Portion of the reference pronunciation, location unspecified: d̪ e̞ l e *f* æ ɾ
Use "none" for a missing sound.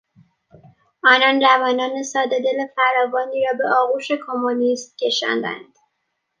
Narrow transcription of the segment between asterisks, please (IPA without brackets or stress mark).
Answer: f